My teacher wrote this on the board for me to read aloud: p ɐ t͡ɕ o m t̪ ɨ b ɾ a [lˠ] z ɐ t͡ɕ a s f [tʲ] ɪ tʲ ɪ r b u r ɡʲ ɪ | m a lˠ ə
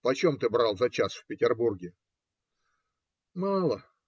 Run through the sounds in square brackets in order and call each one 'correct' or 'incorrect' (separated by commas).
correct, incorrect